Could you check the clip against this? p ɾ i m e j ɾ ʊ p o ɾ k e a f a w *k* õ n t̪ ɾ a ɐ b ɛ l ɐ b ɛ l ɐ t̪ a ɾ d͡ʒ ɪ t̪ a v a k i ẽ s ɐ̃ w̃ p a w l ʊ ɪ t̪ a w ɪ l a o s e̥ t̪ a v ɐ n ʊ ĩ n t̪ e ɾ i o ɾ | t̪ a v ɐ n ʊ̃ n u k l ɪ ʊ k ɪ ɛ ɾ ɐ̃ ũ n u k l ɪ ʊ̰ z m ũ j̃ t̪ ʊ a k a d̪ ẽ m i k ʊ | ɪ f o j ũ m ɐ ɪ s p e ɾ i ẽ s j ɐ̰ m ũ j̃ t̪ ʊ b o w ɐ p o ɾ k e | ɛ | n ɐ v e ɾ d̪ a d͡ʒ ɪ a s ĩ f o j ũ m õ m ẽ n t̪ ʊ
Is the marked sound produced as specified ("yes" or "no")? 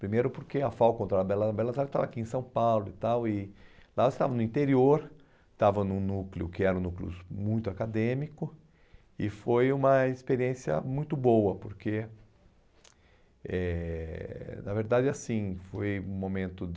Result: yes